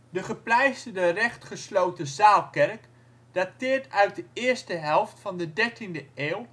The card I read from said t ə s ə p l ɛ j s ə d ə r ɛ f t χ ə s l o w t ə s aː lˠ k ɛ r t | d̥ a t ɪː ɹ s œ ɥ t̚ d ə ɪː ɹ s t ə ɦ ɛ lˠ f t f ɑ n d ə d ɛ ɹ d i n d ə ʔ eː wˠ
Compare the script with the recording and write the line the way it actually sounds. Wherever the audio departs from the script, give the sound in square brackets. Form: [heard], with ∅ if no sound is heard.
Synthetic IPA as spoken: [d] ə [χ] ə p l ɛ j s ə d ə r ɛ [χ] t χ ə s l o w t ə [z] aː lˠ k ɛ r [k] | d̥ a t ɪː ɹ [t] œ ɥ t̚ d ə ɪː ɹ s t ə ɦ ɛ lˠ f t f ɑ n d ə d ɛ ɹ [t] i n d ə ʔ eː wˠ